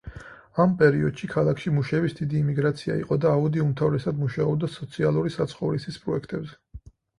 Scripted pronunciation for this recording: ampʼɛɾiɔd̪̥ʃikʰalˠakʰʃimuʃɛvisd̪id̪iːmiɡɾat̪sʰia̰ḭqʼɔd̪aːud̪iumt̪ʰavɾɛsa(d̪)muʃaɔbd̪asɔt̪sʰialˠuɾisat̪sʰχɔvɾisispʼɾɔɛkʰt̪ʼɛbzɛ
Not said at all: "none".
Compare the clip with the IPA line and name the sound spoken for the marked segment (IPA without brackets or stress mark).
d̪